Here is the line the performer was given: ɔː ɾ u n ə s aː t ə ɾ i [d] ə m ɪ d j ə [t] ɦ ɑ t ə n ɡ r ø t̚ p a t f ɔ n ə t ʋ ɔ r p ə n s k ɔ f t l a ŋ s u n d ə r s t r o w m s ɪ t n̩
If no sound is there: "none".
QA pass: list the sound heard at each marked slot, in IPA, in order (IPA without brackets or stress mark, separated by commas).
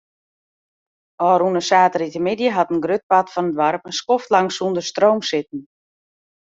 t, none